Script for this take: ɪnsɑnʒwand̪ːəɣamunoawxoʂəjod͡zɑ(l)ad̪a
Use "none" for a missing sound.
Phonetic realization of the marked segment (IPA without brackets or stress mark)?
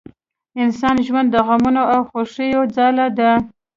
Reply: l